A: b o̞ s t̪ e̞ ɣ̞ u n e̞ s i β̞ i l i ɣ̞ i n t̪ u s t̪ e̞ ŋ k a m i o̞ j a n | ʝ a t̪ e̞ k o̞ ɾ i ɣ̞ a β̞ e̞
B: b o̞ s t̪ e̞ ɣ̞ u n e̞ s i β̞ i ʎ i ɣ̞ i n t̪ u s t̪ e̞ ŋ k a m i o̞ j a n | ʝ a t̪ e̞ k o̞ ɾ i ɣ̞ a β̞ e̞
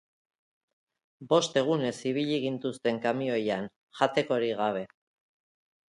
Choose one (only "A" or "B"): B